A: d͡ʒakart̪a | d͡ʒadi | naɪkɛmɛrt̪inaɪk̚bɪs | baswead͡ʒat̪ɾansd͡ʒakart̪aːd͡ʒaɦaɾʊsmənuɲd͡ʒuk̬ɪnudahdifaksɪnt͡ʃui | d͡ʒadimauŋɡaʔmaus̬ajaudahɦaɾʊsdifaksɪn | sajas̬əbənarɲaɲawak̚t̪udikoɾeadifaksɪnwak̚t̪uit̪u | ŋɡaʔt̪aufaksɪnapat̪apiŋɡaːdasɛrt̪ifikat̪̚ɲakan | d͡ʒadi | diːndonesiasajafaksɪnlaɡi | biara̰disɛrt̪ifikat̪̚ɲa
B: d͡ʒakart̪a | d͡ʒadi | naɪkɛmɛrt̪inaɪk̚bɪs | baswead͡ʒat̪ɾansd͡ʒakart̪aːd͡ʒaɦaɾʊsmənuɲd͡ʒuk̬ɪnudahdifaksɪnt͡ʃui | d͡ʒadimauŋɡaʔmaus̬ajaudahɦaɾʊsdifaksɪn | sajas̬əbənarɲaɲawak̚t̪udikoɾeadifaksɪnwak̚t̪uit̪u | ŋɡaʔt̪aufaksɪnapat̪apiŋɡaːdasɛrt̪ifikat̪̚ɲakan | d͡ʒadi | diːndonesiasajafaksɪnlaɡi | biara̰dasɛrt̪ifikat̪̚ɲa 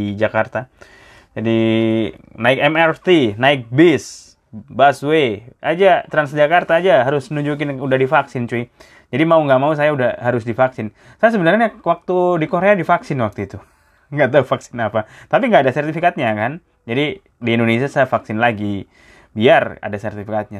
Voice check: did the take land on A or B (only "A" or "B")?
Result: B